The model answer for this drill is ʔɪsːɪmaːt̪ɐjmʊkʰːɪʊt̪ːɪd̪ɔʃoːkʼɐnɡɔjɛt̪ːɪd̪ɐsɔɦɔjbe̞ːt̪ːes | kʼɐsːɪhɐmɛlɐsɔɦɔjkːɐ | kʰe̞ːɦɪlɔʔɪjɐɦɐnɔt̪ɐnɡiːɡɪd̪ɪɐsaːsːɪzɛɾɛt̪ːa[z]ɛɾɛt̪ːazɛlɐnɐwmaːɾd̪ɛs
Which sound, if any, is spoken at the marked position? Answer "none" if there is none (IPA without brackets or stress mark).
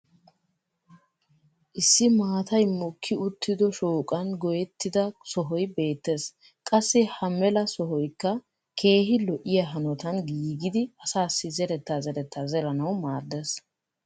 z